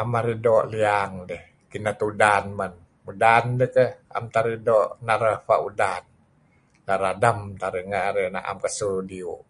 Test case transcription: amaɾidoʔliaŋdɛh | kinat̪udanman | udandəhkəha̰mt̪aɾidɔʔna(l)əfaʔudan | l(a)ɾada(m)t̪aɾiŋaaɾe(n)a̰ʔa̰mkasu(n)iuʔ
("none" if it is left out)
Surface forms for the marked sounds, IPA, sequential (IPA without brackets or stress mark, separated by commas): ɾ, a, m, n, d